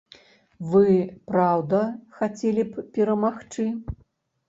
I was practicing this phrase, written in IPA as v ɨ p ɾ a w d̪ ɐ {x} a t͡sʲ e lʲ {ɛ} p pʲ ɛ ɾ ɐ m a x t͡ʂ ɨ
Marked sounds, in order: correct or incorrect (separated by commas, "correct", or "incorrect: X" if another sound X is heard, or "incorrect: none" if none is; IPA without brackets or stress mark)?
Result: correct, incorrect: i